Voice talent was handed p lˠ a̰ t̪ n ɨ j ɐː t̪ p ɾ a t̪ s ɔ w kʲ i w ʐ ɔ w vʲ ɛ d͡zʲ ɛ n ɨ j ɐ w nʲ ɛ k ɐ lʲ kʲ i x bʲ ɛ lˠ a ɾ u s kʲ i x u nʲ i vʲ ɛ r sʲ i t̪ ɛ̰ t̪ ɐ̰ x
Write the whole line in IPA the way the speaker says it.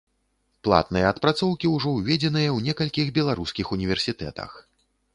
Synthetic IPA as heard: p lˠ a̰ t̪ n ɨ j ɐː t̪ p ɾ a t̪ s ɔ w kʲ i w ʐ ɔ w vʲ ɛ d͡zʲ ɛ n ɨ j ɐ w nʲ ɛ k ɐ lʲ kʲ i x bʲ ɛ lˠ a ɾ u s kʲ i x u nʲ i vʲ ɛ r sʲ i t̪ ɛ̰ t̪ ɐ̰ x